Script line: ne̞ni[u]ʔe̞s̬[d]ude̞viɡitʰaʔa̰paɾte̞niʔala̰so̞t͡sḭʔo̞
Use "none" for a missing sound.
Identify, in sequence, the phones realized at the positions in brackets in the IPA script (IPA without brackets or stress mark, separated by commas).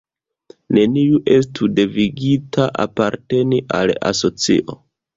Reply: u, t